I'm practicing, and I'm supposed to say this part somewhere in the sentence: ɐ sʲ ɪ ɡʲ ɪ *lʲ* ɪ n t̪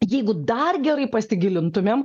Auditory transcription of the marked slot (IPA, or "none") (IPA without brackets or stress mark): lʲ